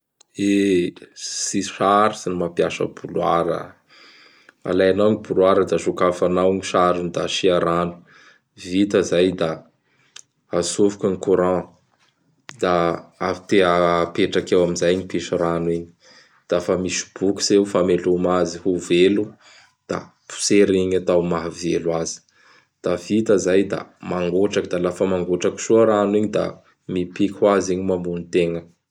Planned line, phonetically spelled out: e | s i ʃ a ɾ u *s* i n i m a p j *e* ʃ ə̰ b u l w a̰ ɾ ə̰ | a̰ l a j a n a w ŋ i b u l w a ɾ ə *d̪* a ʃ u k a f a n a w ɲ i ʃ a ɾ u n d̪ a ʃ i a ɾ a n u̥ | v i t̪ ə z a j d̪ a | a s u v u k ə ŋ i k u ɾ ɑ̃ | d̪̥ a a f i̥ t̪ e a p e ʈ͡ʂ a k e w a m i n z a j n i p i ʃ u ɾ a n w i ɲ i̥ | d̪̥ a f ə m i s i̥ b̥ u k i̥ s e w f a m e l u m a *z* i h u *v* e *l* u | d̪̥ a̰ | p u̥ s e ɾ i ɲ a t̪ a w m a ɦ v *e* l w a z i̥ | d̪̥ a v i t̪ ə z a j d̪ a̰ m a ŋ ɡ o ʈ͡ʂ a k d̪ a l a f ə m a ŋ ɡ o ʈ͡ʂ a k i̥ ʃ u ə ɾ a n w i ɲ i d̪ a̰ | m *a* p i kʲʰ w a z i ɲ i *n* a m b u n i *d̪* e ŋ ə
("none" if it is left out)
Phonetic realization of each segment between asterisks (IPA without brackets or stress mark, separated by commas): s, a, d̪, z, v, l, e, i, m, t̪